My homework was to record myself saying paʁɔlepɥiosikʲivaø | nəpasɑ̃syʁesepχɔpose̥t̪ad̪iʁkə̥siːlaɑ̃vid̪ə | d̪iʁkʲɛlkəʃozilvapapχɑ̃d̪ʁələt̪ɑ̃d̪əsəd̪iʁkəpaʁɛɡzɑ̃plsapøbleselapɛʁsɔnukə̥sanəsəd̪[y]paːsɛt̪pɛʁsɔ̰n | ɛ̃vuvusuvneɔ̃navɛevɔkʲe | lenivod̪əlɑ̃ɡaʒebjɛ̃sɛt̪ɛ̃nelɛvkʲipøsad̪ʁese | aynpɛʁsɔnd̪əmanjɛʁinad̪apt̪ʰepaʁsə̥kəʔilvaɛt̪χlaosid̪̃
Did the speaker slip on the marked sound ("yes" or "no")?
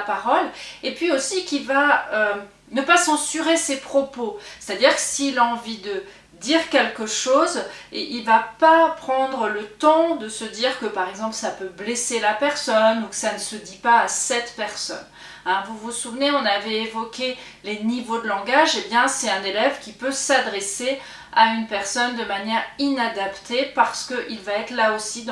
yes